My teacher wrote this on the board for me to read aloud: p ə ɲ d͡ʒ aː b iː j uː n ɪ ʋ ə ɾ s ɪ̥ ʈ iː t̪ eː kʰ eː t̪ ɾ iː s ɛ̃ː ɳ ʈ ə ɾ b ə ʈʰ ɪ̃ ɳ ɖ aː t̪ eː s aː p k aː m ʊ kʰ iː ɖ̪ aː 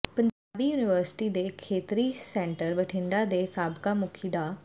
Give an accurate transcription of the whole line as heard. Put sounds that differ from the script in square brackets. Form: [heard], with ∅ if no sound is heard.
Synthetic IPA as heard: p ə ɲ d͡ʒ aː b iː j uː n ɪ ʋ ə ɾ s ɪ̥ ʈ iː [d̪] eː kʰ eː t̪ ɾ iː s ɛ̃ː ɳ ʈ ə ɾ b ə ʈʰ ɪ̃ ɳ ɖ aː [d̪] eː s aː [b] k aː m ʊ kʰ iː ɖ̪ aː